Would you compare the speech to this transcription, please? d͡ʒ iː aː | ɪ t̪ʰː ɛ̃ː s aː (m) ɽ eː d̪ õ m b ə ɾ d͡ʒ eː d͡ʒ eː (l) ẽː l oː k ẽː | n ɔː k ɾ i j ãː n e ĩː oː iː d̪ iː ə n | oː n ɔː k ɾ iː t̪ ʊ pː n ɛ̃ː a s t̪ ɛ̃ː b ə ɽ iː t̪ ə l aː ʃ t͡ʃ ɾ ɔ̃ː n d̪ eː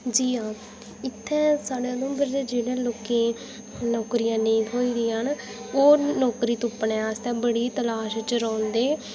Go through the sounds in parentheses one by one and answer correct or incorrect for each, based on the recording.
incorrect: none, incorrect: ɽ

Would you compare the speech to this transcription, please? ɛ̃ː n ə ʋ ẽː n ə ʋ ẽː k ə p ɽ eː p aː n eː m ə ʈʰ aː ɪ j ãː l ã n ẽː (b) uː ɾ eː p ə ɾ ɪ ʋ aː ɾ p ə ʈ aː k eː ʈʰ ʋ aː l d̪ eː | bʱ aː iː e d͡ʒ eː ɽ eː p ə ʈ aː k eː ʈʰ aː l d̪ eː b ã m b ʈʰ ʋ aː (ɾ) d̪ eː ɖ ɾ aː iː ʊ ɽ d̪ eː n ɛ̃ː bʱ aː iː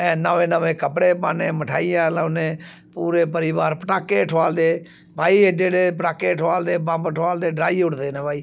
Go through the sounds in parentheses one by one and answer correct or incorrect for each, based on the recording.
incorrect: p, incorrect: l

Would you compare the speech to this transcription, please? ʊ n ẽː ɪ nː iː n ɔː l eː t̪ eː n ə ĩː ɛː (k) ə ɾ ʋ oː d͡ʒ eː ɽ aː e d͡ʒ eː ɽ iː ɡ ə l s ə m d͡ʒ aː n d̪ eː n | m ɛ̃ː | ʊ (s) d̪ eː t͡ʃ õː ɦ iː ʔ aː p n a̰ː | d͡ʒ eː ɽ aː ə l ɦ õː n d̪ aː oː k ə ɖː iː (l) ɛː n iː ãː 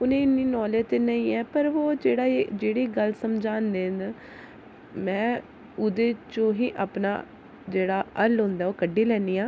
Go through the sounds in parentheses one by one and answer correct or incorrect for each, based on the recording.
incorrect: p, incorrect: none, correct

